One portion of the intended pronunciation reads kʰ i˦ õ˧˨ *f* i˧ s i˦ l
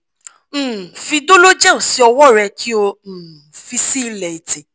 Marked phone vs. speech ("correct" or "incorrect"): correct